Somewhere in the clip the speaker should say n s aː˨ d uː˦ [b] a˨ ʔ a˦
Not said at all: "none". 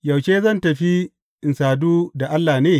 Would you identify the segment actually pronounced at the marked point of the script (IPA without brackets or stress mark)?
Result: d